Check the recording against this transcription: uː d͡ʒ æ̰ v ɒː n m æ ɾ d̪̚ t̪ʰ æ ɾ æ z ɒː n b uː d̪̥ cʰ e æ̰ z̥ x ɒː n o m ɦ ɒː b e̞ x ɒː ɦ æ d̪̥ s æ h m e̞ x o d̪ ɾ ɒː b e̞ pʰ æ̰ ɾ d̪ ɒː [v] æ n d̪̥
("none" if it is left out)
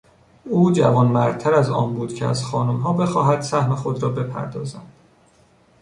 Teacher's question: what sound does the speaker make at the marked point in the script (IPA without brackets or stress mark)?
z